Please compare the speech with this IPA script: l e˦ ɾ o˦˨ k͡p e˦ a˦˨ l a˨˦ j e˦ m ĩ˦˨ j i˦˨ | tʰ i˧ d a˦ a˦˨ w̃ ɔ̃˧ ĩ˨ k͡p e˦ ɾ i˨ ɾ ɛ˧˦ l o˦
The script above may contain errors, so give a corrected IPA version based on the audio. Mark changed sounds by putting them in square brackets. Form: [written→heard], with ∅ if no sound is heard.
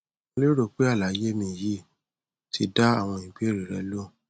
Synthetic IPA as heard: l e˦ ɾ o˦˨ k͡p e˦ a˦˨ l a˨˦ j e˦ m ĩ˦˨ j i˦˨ | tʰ i˧ d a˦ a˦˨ w̃ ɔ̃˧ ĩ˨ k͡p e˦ ɾ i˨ ɾ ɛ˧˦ l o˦